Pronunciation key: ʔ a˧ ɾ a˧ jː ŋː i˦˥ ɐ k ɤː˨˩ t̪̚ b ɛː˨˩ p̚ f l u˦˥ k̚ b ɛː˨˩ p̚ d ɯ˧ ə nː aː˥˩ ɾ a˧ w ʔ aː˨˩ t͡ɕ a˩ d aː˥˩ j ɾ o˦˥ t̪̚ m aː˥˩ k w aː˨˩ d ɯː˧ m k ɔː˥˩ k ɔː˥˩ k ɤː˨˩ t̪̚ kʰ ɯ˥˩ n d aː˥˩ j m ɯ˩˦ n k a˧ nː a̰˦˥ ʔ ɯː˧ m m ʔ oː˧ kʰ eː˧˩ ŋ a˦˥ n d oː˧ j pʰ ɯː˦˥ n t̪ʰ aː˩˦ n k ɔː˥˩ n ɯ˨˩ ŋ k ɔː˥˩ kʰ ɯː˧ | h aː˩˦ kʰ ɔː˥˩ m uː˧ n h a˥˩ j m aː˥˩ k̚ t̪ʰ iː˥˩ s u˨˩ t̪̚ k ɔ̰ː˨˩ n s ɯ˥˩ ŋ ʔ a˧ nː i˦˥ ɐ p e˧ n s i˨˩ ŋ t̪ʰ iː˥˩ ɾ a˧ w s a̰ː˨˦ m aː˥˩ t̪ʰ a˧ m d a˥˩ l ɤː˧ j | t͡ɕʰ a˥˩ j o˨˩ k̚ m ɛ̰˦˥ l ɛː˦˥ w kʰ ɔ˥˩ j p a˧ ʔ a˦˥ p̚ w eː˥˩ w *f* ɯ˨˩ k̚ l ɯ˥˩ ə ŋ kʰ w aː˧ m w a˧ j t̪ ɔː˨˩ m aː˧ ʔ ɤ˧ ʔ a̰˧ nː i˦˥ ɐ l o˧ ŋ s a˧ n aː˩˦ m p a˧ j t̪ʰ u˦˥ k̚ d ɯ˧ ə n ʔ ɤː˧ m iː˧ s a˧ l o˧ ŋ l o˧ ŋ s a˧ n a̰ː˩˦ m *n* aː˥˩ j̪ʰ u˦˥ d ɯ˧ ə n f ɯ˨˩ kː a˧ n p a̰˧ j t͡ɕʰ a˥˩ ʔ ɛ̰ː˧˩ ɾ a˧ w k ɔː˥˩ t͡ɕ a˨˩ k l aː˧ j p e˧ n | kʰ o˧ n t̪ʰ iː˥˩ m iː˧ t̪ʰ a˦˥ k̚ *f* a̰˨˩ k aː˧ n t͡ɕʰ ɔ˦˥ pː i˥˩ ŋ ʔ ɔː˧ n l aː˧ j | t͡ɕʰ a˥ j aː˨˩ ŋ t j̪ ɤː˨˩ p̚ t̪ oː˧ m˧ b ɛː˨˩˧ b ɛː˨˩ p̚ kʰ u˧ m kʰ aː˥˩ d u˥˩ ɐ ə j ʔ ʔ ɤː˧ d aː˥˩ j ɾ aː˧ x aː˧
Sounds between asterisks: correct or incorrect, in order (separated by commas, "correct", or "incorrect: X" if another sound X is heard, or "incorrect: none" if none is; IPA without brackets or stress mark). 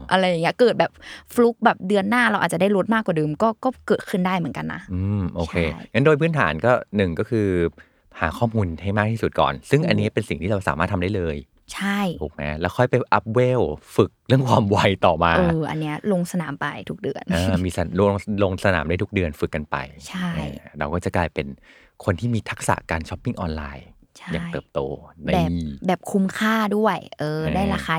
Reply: correct, incorrect: d, incorrect: s